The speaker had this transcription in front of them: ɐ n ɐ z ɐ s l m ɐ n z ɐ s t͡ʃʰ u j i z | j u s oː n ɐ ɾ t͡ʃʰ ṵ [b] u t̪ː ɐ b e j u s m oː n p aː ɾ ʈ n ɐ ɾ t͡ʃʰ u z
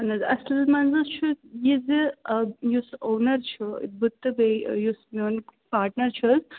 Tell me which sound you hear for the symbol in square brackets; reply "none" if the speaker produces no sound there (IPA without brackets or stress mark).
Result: b